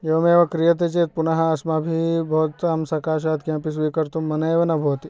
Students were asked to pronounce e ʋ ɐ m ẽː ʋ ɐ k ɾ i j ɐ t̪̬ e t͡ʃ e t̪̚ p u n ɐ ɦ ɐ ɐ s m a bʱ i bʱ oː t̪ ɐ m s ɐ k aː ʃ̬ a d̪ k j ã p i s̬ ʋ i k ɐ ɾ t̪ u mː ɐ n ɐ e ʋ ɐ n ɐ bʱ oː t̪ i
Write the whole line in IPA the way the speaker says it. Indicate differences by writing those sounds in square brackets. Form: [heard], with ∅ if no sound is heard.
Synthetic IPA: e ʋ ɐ m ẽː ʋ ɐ k ɾ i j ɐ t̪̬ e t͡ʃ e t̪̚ p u n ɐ ɦ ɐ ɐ s m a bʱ i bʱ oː t̪ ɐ m s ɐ k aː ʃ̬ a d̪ k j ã p i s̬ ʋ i k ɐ ɾ t̪ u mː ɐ n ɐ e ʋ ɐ n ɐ bʱ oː t̪ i